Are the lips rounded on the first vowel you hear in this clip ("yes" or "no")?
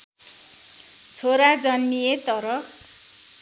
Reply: yes